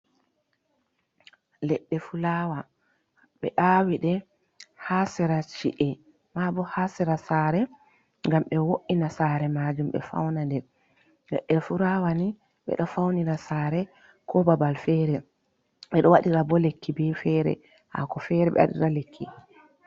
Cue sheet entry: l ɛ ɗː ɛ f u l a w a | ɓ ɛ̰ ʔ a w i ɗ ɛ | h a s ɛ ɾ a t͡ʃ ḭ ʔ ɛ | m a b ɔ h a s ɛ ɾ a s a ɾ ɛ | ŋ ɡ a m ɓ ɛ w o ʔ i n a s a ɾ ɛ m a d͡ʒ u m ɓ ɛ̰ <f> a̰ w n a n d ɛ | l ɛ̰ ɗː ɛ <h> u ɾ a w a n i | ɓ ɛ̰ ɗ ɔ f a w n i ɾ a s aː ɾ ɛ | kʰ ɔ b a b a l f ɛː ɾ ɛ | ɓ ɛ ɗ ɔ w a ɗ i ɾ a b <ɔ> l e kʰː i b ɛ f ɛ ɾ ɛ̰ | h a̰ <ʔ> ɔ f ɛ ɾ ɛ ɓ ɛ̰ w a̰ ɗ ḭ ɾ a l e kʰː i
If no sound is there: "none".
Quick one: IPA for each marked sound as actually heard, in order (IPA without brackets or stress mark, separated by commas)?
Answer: f, f, ɔ, k